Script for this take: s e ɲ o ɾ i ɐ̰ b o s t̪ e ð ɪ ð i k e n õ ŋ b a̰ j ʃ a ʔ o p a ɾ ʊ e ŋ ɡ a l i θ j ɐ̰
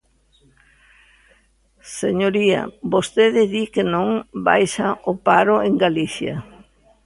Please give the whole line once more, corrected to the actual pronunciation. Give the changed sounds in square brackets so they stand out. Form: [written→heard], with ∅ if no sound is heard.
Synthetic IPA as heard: s e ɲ o ɾ i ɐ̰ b o s t̪ e ð ɪ ð i k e n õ ŋ b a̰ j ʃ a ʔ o p a ɾ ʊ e ŋ ɡ a l i θ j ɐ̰